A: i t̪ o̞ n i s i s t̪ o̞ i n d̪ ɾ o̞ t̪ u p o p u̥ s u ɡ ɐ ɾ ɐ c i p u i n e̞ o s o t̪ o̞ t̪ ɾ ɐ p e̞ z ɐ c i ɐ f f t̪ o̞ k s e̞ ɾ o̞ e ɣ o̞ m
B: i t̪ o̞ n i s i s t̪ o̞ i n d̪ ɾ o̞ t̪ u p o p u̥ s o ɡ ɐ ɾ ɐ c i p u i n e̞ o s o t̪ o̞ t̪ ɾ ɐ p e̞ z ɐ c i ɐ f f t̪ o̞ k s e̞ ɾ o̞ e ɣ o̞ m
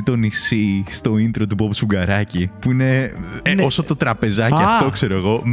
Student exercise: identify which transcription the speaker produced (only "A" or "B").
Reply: A